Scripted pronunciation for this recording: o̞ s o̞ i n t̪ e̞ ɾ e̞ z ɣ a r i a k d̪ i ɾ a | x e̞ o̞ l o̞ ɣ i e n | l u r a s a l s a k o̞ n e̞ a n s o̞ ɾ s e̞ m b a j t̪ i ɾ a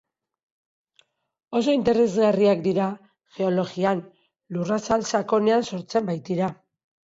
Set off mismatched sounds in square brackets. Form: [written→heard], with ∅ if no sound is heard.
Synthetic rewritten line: o̞ s o̞ i n t̪ e̞ ɾ e̞ z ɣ a r i a k d̪ i ɾ a | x e̞ o̞ l o̞ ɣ i [e→a] n | l u r a s a l s a k o̞ n e̞ a n s o̞ ɾ [s→t͡s] e̞ m b a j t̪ i ɾ a